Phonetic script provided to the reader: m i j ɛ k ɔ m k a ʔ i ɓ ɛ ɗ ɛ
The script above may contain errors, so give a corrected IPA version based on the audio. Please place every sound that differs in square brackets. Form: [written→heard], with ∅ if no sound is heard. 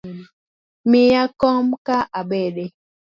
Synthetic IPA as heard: m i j [ɛ→a] k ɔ m k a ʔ [i→a] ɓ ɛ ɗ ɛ